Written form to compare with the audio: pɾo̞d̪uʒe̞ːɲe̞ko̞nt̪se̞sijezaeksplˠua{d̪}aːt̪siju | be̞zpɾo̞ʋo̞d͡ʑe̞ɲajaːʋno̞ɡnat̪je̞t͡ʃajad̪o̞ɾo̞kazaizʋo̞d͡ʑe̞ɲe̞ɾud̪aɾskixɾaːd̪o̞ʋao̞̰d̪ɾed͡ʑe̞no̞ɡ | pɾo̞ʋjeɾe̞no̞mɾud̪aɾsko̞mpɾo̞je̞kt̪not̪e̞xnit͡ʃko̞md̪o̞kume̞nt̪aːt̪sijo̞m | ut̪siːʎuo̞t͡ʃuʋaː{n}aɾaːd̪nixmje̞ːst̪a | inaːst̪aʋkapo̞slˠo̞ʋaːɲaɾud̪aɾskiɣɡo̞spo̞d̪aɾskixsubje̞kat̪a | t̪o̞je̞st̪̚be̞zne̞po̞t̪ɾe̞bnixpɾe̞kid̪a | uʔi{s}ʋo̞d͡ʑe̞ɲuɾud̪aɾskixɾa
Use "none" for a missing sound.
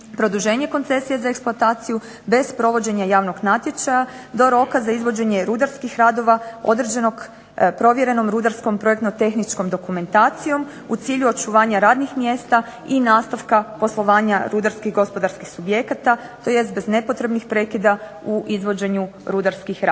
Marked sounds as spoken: t̪, ɲ, z

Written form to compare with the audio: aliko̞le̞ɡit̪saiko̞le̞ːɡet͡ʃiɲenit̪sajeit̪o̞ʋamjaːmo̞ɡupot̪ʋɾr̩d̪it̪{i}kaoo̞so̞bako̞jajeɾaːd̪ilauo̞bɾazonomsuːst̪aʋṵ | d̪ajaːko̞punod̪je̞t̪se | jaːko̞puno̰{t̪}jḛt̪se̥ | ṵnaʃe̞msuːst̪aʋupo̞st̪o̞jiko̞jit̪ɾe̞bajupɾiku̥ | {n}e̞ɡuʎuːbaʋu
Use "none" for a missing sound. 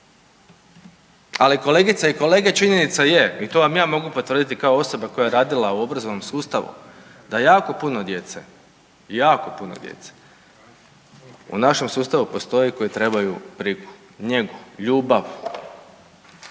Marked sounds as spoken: i, d̪, ɲ

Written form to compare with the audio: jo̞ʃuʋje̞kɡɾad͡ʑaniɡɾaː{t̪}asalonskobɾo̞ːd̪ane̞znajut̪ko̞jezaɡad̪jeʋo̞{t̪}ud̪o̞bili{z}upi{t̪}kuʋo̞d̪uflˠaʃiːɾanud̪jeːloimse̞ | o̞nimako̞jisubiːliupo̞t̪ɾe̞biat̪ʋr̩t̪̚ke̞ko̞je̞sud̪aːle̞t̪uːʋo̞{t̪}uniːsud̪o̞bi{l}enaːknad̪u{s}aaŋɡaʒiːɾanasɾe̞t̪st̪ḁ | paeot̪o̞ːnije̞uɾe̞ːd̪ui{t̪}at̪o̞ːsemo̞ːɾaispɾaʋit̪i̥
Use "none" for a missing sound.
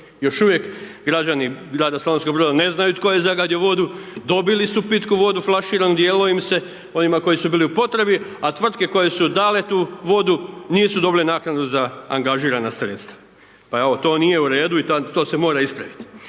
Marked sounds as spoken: d̪, d̪, s, t̪, d̪, l, z, t̪

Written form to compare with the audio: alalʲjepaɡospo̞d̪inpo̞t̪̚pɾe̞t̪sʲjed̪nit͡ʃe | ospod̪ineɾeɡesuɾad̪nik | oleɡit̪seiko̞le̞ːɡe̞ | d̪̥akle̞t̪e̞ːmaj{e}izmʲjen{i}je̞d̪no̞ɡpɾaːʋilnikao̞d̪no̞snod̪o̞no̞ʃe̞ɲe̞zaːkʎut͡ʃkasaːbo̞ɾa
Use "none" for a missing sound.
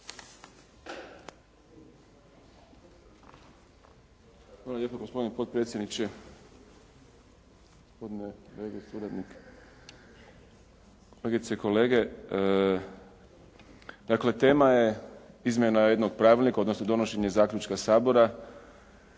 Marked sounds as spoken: e, a

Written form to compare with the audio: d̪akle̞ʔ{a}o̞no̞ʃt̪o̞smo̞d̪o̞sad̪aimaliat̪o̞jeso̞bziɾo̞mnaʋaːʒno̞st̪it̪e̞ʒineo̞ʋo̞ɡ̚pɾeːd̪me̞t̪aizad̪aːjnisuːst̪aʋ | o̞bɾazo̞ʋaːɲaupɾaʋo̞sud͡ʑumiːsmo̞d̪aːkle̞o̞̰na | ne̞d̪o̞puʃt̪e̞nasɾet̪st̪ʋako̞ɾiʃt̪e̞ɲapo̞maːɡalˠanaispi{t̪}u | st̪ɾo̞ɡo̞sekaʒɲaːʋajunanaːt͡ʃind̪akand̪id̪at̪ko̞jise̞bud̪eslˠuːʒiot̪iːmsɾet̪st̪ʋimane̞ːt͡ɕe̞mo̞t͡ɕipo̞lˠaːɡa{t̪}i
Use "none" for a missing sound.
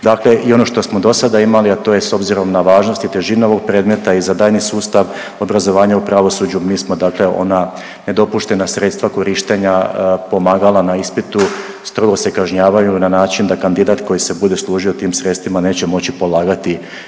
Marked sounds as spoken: i, t̪, t̪

